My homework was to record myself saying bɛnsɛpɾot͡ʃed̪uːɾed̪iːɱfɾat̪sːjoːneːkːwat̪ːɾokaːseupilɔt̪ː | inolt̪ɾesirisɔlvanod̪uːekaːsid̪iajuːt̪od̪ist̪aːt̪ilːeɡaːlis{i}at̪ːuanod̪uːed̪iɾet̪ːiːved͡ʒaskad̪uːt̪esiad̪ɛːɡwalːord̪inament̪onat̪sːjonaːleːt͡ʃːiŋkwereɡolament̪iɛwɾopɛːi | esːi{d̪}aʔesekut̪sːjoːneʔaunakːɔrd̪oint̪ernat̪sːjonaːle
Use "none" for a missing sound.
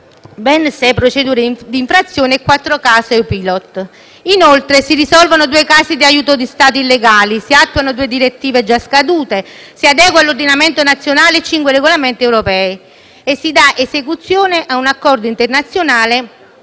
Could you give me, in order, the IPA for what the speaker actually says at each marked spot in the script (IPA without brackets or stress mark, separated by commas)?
i, d̪